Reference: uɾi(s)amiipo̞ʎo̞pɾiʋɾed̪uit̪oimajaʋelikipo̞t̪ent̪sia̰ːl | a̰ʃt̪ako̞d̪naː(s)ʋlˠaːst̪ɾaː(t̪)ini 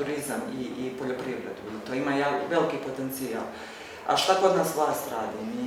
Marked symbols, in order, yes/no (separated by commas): no, yes, no